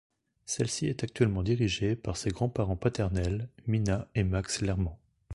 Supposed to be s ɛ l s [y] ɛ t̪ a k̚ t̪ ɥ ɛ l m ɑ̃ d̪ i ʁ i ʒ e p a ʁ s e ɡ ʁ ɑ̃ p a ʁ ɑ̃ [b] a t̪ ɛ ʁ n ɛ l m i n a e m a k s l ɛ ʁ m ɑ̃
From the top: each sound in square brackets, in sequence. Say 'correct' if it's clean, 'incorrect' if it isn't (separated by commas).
incorrect, incorrect